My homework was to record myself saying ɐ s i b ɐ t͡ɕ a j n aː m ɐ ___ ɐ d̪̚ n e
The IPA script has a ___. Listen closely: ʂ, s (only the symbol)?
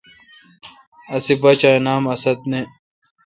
s